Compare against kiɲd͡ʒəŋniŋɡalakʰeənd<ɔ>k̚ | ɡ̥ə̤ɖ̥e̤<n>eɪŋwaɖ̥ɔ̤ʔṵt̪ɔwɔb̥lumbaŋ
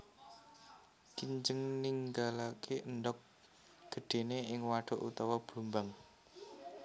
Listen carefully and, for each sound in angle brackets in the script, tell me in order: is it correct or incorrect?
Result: correct, correct

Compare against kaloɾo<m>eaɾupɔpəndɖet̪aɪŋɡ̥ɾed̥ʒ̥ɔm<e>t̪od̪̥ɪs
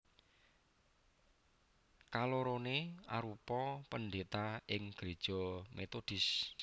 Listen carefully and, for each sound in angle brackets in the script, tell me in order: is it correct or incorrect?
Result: incorrect: n, correct

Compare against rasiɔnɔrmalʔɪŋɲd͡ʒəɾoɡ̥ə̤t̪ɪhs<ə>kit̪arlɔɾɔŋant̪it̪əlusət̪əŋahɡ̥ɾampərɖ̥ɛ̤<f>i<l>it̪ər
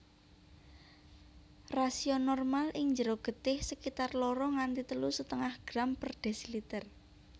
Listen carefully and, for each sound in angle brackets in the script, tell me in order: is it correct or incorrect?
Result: correct, incorrect: s, correct

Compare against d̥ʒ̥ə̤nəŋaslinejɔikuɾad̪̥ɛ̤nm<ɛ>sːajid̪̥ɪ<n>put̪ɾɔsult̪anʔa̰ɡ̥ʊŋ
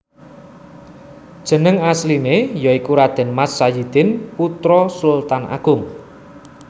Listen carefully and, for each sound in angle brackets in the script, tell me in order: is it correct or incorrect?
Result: incorrect: a, correct

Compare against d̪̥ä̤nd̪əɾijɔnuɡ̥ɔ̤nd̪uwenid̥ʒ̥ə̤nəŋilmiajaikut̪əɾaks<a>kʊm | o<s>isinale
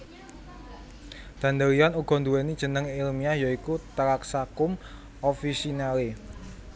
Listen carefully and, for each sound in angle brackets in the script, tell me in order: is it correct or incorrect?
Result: correct, incorrect: f

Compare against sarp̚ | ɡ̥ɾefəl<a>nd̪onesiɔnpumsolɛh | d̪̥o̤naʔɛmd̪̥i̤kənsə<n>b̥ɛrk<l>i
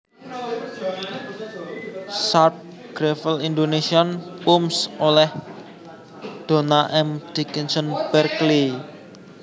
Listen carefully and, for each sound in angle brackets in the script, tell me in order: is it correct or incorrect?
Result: incorrect: i, correct, correct

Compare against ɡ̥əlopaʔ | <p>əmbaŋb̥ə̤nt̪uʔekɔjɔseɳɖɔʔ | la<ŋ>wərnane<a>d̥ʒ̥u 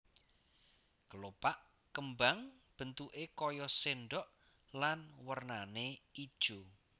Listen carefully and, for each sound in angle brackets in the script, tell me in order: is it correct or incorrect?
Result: incorrect: k, incorrect: n, incorrect: i

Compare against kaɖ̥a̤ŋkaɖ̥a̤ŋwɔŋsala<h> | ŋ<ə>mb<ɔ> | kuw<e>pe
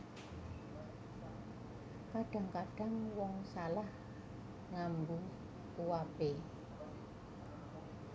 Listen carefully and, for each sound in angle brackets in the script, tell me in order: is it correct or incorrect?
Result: correct, incorrect: a, incorrect: u, incorrect: a

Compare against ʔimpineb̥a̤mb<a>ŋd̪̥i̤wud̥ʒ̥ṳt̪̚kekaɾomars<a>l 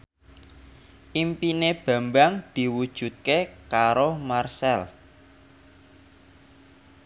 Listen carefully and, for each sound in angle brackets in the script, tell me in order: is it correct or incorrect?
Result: correct, incorrect: ɛ

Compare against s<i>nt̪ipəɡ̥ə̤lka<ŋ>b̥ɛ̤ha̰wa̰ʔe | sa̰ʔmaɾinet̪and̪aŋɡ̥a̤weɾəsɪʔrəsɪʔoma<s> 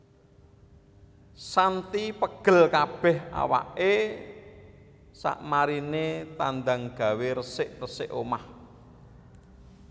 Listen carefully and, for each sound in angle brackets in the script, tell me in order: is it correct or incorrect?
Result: incorrect: a, incorrect: none, incorrect: h

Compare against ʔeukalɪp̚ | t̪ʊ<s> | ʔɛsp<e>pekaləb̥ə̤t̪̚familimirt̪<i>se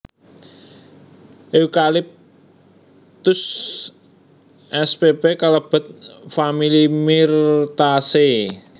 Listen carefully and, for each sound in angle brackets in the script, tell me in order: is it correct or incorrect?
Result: correct, correct, incorrect: a

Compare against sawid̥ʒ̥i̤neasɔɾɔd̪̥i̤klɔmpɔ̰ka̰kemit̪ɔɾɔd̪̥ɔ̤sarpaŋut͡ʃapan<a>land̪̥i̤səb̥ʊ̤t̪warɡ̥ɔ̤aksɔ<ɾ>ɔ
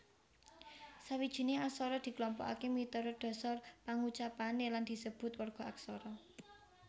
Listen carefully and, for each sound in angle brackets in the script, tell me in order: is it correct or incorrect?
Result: incorrect: e, correct

